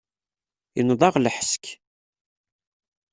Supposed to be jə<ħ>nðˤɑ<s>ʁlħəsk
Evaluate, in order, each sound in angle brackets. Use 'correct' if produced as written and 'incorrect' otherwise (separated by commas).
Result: incorrect, incorrect